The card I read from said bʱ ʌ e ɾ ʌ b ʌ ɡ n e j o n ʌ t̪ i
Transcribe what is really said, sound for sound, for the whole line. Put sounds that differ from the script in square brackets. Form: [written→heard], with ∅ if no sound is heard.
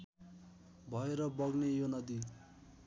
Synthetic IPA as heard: bʱ ʌ e ɾ ʌ b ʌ ɡ n e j o n ʌ [t̪→d̪] i